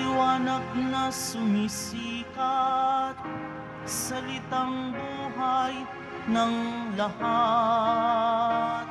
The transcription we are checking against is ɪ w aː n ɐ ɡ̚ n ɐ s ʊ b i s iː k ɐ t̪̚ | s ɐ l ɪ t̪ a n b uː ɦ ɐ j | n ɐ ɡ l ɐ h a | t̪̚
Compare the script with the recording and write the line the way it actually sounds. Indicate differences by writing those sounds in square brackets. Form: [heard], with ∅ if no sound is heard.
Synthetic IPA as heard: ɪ w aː n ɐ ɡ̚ n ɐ s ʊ [m] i s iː k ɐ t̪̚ | s ɐ l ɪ t̪ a [ŋ] b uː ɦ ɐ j | n ɐ [ŋ] l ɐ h a | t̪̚